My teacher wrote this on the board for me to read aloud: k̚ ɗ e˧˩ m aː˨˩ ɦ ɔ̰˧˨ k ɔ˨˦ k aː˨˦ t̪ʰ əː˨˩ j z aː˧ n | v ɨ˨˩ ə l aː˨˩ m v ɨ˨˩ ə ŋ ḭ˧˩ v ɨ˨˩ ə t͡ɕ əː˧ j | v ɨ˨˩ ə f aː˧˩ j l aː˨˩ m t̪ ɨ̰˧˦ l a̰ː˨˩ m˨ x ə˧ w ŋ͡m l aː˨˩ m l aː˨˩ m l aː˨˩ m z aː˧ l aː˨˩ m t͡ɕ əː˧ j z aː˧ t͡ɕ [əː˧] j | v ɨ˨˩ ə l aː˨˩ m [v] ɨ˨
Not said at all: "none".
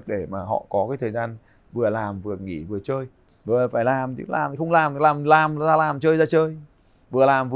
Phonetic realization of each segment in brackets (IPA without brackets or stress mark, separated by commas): əː˧, v